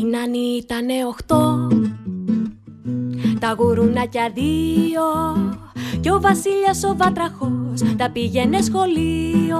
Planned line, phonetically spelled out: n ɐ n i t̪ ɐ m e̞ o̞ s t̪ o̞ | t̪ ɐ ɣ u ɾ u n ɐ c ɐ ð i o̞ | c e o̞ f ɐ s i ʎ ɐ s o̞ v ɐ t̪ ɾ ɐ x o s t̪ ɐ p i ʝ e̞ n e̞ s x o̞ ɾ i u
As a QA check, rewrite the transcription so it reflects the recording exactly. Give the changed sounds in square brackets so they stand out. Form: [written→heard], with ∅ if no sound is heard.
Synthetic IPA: n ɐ n i t̪ ɐ [m→n] e̞ o̞ [s→x] t̪ o̞ | t̪ ɐ ɣ u ɾ u n ɐ c ɐ ð i o̞ | c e o̞ [f→v] ɐ s i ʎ ɐ s o̞ v ɐ t̪ ɾ ɐ x o s t̪ ɐ p i ʝ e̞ n e̞ s x o̞ [ɾ→l] i [u→o]